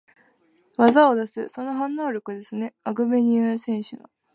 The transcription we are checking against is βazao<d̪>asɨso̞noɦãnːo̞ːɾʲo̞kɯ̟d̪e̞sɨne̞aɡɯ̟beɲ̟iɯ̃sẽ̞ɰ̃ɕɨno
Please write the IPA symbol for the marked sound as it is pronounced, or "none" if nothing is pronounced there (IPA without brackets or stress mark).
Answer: d̪